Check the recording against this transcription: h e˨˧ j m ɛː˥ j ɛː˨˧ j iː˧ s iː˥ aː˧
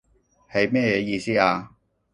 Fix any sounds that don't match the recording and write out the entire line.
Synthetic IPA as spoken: h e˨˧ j m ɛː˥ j ɛː˨˧ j iː˧ s iː˥ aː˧